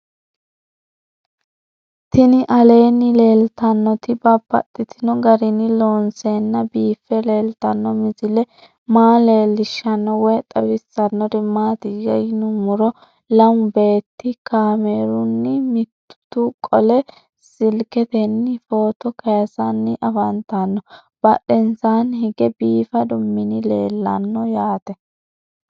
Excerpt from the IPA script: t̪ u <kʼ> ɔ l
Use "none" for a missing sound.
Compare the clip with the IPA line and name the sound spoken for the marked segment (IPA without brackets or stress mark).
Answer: kʼ